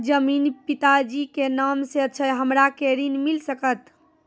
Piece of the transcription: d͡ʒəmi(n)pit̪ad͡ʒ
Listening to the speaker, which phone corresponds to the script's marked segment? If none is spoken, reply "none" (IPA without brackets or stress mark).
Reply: n